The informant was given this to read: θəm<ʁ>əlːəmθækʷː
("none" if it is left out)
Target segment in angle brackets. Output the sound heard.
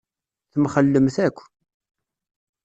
χ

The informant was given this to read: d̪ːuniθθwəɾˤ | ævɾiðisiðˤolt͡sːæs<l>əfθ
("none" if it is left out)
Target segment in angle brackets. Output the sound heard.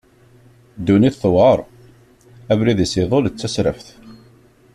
ɾ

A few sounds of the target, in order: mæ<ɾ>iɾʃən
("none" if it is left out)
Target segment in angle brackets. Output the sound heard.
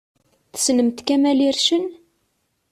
l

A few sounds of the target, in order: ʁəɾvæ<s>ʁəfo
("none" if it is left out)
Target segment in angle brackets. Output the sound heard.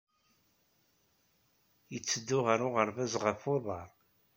z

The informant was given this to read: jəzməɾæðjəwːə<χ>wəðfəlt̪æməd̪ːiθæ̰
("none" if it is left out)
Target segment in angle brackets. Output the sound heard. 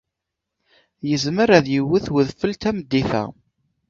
θ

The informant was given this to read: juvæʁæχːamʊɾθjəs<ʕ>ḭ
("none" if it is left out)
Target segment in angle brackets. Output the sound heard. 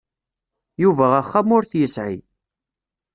ʕ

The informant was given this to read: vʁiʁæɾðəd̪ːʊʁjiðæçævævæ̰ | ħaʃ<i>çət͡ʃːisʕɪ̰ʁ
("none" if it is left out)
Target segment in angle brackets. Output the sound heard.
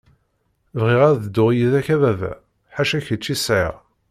æ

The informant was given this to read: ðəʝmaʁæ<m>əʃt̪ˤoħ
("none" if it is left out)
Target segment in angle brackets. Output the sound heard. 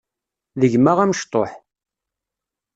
m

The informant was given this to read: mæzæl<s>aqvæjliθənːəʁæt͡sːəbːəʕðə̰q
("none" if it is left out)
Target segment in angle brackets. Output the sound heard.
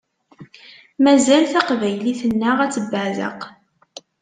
θ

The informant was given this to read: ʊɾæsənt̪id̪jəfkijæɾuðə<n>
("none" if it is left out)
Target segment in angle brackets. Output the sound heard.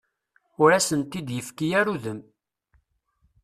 m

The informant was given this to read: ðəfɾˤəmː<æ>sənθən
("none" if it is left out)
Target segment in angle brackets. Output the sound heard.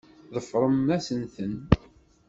æ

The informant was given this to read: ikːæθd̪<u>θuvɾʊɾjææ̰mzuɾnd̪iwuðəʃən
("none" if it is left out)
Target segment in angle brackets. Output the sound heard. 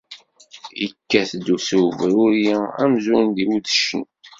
u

